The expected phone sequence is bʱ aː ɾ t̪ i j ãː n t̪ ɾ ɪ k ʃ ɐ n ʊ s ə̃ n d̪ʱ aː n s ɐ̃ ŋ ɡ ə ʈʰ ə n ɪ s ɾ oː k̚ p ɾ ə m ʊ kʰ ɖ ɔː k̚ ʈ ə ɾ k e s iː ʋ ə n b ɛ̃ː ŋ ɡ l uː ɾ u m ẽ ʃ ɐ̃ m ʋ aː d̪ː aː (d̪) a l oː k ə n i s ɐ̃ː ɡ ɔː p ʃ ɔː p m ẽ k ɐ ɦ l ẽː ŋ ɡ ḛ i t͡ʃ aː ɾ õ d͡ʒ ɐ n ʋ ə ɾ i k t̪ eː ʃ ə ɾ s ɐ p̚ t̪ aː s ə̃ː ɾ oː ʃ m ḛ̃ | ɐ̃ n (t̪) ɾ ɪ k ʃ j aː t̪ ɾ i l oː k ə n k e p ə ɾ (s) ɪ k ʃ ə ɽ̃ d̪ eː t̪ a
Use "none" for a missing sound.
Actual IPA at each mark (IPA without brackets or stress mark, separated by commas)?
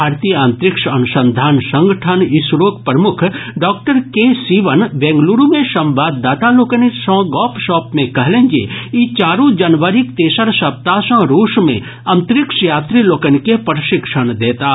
t̪, t̪, ʃ